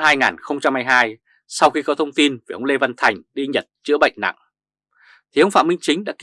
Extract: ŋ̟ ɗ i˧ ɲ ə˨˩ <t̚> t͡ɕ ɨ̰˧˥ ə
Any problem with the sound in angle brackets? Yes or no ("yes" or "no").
no